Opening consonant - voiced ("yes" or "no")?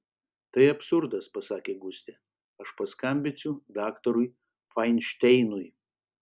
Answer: no